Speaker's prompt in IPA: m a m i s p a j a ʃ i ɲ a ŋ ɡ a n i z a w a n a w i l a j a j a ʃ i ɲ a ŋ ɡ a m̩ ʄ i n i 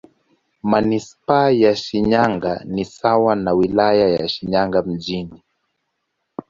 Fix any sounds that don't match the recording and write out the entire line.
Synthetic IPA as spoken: m a n i s p a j a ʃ i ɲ a ŋ ɡ a n i s a w a n a w i l a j a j a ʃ i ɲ a ŋ ɡ a m̩ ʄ i n i